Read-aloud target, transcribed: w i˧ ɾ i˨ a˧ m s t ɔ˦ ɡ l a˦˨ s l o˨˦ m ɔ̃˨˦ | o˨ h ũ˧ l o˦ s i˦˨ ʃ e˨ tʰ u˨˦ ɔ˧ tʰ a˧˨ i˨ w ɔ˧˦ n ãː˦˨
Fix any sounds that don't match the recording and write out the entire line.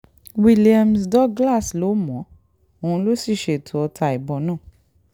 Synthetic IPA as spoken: w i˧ l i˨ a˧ m s d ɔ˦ ɡ l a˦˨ s l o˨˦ m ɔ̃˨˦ | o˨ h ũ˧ l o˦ s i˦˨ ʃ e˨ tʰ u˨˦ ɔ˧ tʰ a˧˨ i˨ b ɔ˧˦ n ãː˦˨

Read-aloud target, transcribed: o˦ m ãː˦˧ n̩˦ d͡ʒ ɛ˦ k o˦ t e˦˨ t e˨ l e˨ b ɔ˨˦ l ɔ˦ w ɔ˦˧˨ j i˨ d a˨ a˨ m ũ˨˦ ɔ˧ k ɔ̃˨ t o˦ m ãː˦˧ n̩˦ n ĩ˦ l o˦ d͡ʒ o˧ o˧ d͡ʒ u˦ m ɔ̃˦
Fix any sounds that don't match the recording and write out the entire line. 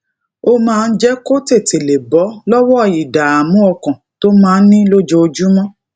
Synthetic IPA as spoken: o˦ m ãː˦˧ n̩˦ d͡ʒ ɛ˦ k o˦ t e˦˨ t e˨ l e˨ b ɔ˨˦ l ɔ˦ w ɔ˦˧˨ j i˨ d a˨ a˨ m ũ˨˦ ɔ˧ k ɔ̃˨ t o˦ m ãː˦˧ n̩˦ n ĩ˦ l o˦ d͡ʒ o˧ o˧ d͡ʒ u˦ m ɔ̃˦

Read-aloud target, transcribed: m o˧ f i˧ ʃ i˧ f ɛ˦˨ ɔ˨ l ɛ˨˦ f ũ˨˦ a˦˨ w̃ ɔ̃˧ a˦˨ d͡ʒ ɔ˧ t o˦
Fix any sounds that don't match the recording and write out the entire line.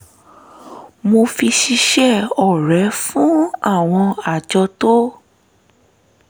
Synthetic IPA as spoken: m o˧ f i˧ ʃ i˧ ʃ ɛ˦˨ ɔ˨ ɾ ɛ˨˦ f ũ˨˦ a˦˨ w̃ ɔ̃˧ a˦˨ d͡ʒ ɔ˧ t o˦

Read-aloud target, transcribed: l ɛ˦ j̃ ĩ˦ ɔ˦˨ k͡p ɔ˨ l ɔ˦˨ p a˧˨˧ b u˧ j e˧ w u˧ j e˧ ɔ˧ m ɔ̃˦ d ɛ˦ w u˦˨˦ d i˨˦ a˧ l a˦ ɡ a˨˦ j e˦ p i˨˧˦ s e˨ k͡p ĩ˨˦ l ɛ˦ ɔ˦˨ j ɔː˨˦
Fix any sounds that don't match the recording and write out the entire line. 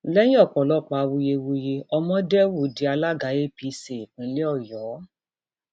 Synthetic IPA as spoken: l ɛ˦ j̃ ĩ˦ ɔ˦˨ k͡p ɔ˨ l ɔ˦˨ k͡p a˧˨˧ w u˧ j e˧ w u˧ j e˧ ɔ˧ m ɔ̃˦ d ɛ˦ w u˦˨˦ d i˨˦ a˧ l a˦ ɡ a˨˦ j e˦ p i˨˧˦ s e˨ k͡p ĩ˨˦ l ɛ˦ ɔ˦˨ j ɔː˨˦

